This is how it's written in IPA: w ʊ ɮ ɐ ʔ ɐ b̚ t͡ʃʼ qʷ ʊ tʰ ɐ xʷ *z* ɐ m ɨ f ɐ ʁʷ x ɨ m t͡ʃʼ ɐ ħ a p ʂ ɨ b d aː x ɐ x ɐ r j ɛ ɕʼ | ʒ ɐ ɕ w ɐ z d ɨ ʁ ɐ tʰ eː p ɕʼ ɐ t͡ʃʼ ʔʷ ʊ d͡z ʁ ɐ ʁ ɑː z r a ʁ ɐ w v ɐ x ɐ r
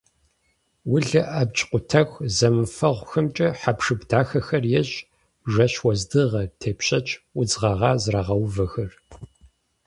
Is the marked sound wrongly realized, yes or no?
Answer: no